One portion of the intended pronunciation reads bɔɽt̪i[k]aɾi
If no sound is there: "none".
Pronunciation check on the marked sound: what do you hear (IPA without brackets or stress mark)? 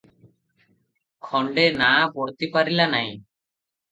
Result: p